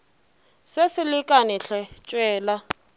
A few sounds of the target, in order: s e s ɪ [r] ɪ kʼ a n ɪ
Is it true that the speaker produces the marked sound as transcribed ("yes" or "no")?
no